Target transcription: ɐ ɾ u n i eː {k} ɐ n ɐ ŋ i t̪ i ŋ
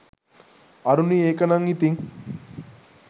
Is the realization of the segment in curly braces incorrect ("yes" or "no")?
no